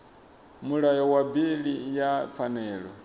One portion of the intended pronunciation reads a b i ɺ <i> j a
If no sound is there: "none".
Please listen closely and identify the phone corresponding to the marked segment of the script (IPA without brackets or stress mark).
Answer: i